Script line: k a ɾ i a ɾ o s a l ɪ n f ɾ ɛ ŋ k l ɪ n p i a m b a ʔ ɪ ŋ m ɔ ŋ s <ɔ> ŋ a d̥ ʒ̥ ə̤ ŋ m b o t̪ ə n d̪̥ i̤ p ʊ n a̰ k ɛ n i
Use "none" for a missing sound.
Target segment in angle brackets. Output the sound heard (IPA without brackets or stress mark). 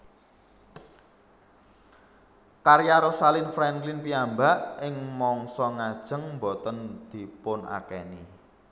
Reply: ɔ